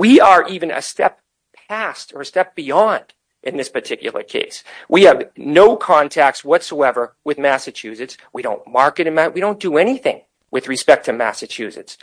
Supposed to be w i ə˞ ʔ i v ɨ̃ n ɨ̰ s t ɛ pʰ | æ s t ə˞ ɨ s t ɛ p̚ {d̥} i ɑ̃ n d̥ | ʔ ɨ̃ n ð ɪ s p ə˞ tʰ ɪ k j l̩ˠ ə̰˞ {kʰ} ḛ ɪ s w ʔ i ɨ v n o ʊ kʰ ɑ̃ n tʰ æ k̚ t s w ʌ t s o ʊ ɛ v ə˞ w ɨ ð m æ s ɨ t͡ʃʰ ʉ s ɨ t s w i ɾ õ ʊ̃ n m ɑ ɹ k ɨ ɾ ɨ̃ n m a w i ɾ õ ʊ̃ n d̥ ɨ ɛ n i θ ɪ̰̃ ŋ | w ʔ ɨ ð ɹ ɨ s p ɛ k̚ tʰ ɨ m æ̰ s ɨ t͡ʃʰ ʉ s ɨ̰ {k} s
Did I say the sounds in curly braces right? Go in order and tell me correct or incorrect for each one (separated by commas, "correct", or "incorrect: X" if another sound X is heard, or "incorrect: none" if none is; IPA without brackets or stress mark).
incorrect: b̥, correct, incorrect: t